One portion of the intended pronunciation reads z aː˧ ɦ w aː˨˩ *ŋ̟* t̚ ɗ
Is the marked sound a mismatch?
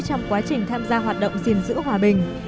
yes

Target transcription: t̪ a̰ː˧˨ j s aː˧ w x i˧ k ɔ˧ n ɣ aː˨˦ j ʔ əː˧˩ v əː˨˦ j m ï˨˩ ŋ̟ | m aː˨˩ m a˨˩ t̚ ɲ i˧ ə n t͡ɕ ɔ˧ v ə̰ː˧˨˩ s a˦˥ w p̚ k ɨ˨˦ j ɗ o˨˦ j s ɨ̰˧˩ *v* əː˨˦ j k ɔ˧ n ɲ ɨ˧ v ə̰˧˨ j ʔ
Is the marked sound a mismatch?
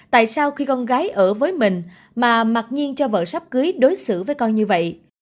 no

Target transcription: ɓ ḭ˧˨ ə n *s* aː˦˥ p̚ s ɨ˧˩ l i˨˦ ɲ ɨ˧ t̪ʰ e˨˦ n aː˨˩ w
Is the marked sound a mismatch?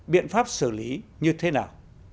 yes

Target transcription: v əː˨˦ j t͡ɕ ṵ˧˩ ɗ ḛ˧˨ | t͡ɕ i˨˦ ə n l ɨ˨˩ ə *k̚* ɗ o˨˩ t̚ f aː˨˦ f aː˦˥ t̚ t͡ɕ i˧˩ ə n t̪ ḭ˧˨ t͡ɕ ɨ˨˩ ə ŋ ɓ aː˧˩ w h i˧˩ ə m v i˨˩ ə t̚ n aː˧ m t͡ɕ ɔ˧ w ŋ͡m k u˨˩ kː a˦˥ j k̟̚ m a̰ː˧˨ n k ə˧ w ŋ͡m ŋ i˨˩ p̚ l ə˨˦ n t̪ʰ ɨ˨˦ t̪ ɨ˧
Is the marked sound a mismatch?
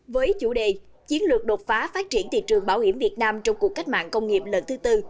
no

